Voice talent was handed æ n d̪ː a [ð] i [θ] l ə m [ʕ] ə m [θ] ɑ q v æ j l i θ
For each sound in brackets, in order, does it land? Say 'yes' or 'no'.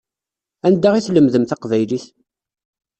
no, yes, no, yes

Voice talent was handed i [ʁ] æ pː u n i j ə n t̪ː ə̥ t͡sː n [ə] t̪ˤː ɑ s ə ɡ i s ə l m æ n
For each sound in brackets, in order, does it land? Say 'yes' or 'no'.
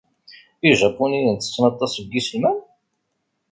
no, no

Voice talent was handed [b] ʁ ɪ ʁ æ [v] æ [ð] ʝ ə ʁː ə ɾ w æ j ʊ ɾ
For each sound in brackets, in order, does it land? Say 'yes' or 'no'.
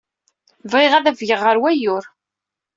no, no, no

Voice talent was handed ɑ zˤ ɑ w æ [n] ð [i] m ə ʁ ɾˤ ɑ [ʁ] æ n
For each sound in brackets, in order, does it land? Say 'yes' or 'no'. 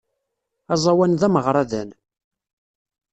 yes, no, no

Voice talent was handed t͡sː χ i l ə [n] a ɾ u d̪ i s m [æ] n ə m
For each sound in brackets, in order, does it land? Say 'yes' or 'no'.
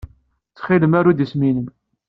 no, no

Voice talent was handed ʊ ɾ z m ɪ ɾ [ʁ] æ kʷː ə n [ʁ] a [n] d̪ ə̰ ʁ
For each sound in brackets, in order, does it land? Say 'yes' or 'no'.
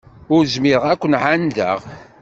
yes, no, yes

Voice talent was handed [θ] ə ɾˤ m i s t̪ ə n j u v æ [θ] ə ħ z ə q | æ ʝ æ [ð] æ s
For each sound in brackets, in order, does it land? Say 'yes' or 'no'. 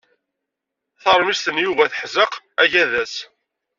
yes, yes, yes

